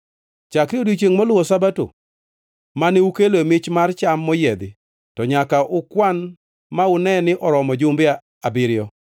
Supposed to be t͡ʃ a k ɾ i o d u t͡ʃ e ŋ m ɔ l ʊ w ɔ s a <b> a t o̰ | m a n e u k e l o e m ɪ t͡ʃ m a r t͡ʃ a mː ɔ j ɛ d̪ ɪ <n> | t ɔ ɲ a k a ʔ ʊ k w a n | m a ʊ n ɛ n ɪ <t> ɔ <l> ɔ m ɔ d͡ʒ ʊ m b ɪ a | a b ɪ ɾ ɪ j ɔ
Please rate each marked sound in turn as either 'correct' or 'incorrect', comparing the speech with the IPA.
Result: correct, incorrect: none, incorrect: ʔ, incorrect: ɾ

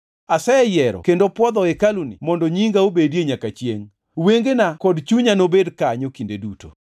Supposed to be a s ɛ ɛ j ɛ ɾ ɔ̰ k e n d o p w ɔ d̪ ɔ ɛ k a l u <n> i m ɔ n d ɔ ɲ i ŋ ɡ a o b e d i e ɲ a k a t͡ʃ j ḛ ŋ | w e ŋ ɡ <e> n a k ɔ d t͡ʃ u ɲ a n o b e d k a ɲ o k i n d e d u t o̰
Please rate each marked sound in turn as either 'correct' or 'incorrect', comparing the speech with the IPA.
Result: correct, correct

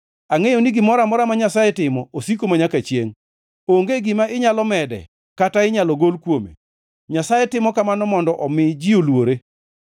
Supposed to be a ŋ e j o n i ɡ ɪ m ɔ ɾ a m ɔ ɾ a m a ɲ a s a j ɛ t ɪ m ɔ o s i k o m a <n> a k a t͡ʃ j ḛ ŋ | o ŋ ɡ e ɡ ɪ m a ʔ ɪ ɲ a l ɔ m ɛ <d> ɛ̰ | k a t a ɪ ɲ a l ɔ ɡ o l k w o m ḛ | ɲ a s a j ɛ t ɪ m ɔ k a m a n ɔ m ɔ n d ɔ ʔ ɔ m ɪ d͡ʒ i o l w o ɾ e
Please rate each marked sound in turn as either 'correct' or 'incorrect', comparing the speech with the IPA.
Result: incorrect: ɲ, correct

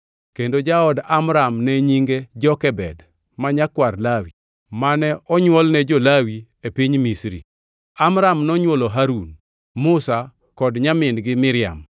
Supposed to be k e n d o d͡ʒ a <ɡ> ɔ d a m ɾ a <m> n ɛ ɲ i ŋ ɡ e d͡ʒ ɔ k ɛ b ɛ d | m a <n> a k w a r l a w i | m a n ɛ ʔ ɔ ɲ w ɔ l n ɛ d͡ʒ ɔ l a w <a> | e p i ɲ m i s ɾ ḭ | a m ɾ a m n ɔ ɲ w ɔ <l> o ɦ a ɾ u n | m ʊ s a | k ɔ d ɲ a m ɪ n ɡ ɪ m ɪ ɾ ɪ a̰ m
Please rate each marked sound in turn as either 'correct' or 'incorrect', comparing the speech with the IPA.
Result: incorrect: none, correct, incorrect: ɲ, incorrect: i, correct

